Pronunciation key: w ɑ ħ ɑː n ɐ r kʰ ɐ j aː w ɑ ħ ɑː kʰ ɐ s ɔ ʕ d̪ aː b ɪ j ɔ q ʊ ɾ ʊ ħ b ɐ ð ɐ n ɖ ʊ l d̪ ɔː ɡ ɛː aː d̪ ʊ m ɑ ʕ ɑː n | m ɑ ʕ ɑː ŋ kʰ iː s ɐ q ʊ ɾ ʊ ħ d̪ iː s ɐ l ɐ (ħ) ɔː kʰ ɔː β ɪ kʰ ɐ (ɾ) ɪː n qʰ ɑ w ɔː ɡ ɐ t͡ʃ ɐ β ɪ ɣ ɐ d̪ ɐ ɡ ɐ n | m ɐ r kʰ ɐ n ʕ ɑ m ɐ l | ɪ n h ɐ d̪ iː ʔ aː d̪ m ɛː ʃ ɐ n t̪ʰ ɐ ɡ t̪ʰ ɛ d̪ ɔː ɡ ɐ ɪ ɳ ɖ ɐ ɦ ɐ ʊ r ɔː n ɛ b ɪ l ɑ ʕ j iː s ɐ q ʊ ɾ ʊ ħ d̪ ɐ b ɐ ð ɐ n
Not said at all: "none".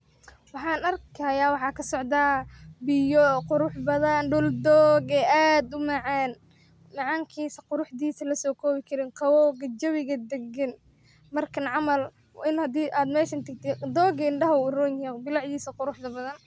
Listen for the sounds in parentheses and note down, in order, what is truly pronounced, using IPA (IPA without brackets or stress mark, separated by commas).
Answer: s, ɾ